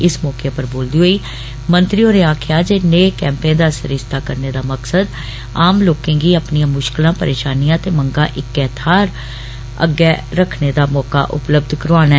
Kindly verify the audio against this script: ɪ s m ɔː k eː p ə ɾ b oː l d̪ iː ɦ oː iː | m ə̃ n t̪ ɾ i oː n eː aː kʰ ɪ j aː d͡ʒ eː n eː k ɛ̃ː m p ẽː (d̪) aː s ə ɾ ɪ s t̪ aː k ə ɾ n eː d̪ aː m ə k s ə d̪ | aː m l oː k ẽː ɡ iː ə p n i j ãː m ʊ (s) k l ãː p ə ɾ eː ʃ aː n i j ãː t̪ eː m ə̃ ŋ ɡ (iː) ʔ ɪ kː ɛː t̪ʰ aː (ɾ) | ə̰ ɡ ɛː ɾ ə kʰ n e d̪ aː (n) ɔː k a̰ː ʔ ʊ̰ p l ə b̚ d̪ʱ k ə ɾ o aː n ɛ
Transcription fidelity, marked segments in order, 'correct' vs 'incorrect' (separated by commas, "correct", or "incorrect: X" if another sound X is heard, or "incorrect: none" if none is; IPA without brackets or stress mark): correct, incorrect: ʃ, incorrect: aː, correct, incorrect: m